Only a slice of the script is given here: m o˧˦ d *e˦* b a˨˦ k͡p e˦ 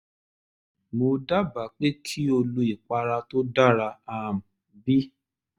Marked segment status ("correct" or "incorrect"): incorrect